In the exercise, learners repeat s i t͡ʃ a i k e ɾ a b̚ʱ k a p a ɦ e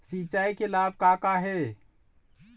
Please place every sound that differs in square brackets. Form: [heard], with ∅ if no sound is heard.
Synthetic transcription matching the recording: s i t͡ʃ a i k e [l] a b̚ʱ k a [k] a ɦ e

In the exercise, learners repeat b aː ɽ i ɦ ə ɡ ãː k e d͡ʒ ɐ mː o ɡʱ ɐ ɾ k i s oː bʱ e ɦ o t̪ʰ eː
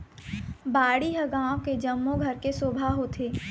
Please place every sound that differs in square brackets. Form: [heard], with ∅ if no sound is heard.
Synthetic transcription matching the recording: b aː ɽ i ɦ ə ɡ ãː k e d͡ʒ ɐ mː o ɡʱ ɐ ɾ k [e] s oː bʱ [a] ɦ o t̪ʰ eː

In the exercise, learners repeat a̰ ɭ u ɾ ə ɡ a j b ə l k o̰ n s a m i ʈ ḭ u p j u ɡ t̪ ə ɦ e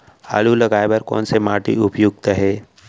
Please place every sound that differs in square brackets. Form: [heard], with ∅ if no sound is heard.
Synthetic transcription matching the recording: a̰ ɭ u [l] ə ɡ a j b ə [ɾ] k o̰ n s [e] m [a] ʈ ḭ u p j u ɡ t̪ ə ɦ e

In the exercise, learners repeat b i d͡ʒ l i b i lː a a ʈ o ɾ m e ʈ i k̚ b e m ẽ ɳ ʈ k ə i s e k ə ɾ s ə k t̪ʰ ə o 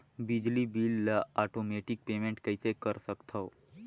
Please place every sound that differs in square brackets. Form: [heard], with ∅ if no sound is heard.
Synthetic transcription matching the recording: b i d͡ʒ l i b i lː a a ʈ o [∅] m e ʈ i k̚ [p] e m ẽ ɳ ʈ k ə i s e k ə ɾ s ə k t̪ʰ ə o

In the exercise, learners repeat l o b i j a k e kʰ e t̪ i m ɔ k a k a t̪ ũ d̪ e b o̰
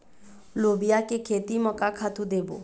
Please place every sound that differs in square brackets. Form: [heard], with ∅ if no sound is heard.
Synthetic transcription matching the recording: l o b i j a k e kʰ e t̪ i m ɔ k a [kʰ] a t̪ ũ d̪ e b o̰

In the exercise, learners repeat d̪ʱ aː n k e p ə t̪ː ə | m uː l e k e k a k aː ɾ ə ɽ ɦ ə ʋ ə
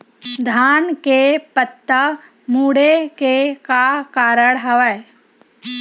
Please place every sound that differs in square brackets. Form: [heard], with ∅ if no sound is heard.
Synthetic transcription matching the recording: d̪ʱ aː n k e p ə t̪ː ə | m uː [ɽ] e k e k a k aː ɾ ə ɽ ɦ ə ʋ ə

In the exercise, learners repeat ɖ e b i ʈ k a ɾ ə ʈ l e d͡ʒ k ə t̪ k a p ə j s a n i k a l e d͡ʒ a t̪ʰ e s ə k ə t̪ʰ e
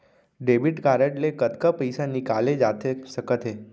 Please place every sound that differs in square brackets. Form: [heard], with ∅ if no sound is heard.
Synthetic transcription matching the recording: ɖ e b i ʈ k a ɾ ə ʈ l e [∅] k ə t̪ k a p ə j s a n i k a l e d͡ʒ a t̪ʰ e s ə k ə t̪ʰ e

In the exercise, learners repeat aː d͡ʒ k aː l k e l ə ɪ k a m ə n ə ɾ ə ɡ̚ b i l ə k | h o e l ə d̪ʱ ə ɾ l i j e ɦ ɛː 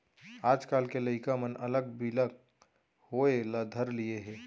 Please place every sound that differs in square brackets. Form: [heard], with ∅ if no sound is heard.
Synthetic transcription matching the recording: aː d͡ʒ k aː l k e l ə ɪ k a m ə n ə [l] ə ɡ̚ b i l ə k | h o e l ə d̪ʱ ə ɾ l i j e ɦ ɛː

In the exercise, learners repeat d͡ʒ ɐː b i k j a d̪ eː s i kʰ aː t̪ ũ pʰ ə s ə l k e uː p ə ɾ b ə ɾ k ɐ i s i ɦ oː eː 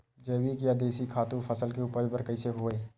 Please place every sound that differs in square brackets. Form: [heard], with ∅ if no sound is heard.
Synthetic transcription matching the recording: d͡ʒ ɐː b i k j a d̪ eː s i kʰ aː t̪ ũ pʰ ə s ə l k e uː p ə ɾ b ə ɾ k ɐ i s [e] ɦ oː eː

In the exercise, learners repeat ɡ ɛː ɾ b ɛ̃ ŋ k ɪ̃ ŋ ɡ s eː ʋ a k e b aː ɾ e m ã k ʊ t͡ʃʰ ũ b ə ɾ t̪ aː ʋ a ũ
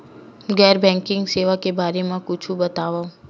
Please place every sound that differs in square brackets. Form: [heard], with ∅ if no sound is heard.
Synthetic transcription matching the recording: ɡ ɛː ɾ b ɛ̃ ŋ k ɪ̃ ŋ ɡ s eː ʋ a k e b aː ɾ e m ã k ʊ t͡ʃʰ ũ b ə [∅] t̪ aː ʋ a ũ

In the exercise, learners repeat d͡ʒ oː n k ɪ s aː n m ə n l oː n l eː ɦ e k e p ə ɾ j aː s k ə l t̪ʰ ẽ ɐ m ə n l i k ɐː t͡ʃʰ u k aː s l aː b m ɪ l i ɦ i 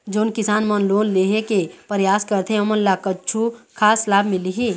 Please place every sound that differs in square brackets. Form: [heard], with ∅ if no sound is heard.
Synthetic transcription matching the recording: d͡ʒ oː n k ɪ s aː n m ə n l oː n l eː ɦ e k e p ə ɾ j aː s k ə [ɾ] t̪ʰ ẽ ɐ m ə n l [a] k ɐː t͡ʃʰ u [kʰ] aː s l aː b m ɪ l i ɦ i

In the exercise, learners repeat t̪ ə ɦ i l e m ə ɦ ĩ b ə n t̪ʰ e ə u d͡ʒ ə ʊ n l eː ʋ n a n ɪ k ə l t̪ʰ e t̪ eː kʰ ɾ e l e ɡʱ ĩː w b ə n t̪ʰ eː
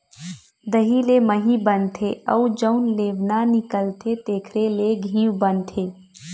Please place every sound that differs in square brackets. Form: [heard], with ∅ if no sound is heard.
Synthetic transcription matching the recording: [d̪] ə ɦ i l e m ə ɦ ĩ b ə n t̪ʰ e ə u d͡ʒ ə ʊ n l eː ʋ n a n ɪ k ə l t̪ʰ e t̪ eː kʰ ɾ e l e ɡʱ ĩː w b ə n t̪ʰ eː

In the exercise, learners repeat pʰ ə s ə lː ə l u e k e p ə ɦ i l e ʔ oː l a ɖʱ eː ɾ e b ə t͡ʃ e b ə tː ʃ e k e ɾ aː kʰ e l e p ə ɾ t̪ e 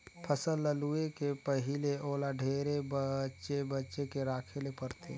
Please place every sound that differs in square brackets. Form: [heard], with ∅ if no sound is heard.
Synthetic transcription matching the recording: pʰ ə s ə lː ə l u e k e p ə ɦ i l e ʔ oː l a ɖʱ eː ɾ e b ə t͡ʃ e b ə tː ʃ e k e ɾ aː kʰ e l e p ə ɾ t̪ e

